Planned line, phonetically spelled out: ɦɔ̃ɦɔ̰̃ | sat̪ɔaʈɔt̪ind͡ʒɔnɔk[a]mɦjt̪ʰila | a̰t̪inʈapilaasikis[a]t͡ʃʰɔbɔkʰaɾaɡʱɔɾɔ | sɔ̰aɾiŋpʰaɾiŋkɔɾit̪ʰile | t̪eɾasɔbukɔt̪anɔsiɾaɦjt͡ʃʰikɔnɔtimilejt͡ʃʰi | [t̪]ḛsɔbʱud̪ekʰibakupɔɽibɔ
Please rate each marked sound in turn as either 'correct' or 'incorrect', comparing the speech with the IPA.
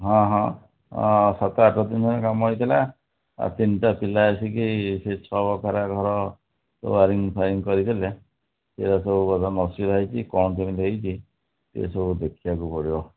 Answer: correct, incorrect, correct

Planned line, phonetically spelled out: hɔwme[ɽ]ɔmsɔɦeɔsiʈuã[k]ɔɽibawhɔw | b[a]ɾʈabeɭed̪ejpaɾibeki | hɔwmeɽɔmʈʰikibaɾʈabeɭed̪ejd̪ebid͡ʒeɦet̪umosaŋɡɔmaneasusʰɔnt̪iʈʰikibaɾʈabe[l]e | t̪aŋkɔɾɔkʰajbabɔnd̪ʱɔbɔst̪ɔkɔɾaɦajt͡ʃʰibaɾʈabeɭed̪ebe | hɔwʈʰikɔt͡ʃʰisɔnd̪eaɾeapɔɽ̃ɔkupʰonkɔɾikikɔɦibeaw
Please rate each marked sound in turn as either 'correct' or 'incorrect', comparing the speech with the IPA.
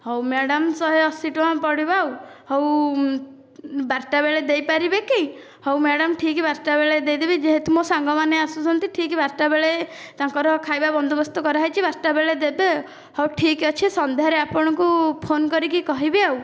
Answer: correct, incorrect, correct, incorrect

